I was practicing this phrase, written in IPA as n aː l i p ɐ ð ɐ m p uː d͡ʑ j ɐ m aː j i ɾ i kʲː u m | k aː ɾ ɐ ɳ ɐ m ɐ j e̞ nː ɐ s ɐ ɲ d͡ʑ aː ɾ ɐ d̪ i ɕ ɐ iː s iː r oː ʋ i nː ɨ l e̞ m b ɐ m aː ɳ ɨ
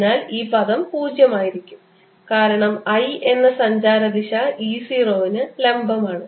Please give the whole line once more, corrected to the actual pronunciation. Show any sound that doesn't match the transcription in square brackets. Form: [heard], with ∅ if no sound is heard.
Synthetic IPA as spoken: n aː l [iː] p ɐ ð ɐ m p uː d͡ʑ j ɐ m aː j i ɾ i kʲː u m | k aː ɾ ɐ ɳ ɐ m ɐ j e̞ nː ɐ s ɐ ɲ d͡ʑ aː ɾ ɐ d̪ i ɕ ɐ iː s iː r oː ʋ i [n] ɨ l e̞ m b ɐ m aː ɳ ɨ

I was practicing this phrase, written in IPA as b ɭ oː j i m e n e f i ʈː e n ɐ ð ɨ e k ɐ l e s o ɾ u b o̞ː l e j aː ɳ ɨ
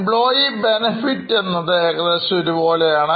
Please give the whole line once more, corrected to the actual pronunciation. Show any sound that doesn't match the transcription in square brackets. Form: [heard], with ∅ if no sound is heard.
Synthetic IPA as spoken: b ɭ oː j i [b] e n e f i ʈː e [nː] ɐ ð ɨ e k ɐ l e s o ɾ u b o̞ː l e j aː ɳ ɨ

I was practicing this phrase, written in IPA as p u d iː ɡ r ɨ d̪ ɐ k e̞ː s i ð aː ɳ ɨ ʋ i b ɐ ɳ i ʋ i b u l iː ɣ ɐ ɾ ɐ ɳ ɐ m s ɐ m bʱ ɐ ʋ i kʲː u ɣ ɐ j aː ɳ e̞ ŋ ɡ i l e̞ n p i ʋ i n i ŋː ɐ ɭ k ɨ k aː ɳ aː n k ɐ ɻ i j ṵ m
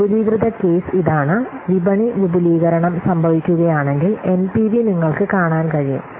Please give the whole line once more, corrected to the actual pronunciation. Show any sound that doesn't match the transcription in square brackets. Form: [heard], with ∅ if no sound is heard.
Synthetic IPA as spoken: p u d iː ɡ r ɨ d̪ ɐ k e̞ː s i ð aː ɳ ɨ ʋ i b ɐ ɳ i ʋ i b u l iː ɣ ɐ ɾ ɐ ɳ ɐ m s ɐ m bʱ ɐ ʋ i kʲː u ɣ ɐ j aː ɳ e̞ ŋ ɡ i l e̞ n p i ʋ i n i ŋː ɐ ɭ k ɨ k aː ɳ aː n k ɐ ɻ i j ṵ m

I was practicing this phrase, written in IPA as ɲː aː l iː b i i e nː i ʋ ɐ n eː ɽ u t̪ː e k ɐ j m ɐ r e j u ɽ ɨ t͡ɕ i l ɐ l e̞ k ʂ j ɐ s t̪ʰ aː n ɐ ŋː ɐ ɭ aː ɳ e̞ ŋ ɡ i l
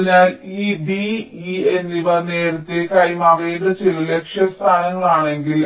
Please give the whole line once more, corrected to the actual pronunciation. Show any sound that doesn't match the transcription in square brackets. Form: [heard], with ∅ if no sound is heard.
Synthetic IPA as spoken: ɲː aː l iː b i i e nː i ʋ ɐ n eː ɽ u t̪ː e k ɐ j m ɐ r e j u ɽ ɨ t͡ɕ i l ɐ l e̞ k ʂ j ɐ s t̪ʰ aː n ɐ ŋː ɐ ɭ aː ɳ e̞ ŋ ɡ i l

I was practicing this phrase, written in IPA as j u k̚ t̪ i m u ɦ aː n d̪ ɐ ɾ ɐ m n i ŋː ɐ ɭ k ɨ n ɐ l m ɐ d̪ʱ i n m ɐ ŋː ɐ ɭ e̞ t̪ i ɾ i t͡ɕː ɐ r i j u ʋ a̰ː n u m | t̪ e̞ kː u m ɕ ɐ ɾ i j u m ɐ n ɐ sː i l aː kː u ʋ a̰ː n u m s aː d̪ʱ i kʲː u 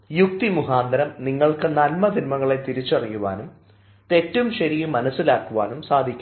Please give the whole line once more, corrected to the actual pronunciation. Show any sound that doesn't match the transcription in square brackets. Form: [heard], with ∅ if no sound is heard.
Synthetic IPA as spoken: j u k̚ t̪ i m u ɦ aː n d̪ ɐ ɾ ɐ m n i ŋː ɐ ɭ k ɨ n ɐ l m ɐ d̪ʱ i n m ɐ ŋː ɐ ɭ e̞ t̪ i ɾ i t͡ɕː ɐ r i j u ʋ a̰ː n u m | t̪ e̞ [tː] u m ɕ ɐ ɾ i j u m ɐ n ɐ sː i l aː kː u ʋ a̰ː n u m s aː d̪ʱ i kʲː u

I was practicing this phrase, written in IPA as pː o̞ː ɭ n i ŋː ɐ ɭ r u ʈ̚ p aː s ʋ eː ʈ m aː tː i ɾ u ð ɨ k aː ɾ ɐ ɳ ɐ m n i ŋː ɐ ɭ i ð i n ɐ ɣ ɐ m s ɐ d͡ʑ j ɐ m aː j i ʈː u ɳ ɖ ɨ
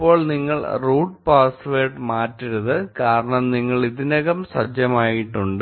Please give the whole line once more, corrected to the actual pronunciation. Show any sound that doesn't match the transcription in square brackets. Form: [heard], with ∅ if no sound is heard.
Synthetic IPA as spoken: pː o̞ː ɭ n i ŋː ɐ ɭ r [uː] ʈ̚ p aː s ʋ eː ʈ m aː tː i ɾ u ð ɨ k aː ɾ ɐ ɳ ɐ m n i ŋː ɐ ɭ i ð i n ɐ ɣ ɐ m s ɐ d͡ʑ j ɐ m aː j i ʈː u ɳ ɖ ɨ

